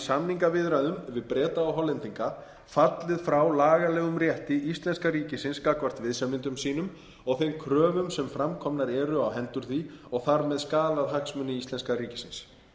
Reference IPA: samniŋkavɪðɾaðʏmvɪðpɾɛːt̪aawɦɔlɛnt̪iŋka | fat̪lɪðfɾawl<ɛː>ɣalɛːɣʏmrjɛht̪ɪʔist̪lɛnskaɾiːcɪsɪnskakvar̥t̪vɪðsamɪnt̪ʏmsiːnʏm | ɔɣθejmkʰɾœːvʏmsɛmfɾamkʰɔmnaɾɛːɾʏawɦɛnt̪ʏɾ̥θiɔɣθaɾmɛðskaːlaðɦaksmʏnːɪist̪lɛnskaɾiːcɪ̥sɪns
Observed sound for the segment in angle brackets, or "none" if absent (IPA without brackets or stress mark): aː